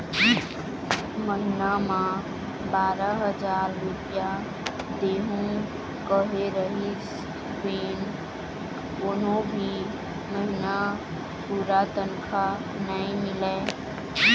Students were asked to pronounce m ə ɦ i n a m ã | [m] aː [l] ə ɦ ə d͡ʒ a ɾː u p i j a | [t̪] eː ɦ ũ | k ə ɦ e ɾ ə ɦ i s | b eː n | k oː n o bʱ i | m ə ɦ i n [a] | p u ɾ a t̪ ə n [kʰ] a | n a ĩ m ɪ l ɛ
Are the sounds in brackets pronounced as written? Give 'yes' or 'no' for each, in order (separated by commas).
no, no, no, yes, yes